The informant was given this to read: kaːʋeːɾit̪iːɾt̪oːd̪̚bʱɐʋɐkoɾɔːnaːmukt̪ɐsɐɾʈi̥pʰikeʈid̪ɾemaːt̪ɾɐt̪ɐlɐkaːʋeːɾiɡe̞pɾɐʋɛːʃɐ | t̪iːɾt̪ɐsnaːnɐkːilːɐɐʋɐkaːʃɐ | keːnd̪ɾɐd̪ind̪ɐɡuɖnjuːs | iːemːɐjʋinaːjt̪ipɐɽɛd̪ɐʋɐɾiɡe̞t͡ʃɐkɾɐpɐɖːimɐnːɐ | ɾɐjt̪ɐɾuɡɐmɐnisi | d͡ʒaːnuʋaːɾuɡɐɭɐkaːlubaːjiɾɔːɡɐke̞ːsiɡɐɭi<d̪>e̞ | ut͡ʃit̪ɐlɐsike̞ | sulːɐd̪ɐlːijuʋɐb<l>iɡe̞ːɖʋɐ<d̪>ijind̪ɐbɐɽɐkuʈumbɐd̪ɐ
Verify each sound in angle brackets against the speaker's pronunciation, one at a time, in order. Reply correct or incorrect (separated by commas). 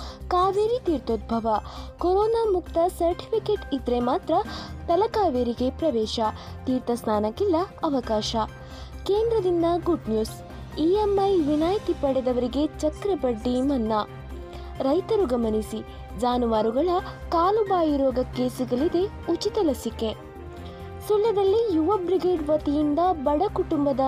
correct, incorrect, incorrect